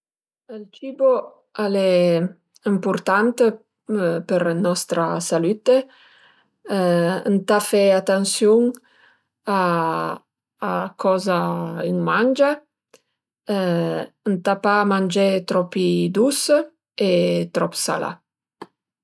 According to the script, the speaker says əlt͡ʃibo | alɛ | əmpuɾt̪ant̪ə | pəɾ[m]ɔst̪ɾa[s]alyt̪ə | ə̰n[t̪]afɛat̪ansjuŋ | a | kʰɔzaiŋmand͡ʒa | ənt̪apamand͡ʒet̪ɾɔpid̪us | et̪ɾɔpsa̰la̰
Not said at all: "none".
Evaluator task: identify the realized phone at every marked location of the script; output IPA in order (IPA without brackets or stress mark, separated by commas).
n, s, t̪